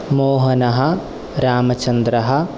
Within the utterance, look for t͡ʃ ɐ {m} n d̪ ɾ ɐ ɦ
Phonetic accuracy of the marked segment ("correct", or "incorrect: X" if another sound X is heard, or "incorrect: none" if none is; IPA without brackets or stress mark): incorrect: none